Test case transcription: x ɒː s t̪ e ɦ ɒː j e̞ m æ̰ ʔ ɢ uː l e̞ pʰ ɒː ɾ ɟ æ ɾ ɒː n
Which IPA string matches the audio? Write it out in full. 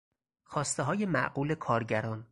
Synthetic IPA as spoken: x ɒː s t̪ e ɦ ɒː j e̞ m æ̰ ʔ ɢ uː l e̞ kʰ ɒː ɾ ɟ æ ɾ ɒː n